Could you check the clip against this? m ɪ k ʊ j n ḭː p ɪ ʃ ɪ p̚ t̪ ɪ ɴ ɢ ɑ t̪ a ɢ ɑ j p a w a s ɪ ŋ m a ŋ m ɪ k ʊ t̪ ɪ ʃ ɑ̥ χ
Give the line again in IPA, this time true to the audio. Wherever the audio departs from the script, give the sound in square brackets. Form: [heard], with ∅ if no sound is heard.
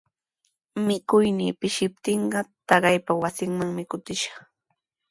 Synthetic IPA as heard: m ɪ k ʊ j n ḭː p ɪ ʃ ɪ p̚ t̪ ɪ ɴ ɢ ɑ t̪ [ɑ] ɢ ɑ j p a w a s ɪ ŋ m a ŋ m ɪ k ʊ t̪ ɪ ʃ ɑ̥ χ